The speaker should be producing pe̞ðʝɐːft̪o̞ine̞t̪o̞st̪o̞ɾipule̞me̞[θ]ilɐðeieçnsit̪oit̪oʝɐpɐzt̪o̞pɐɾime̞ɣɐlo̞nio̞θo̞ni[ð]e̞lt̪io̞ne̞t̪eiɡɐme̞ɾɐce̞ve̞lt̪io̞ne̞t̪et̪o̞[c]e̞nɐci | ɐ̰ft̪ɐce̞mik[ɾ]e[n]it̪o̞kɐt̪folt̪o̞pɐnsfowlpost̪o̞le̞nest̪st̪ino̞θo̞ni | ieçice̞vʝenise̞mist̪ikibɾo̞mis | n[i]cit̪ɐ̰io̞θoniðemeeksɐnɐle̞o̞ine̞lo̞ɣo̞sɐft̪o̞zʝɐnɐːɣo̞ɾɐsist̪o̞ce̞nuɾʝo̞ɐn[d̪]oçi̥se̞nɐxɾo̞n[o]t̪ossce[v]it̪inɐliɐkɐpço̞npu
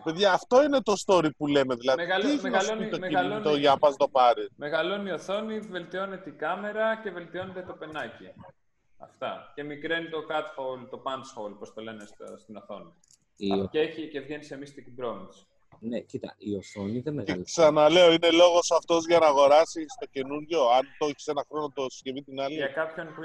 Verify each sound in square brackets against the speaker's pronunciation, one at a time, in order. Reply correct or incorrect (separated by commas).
incorrect, incorrect, incorrect, correct, correct, incorrect, incorrect, correct, correct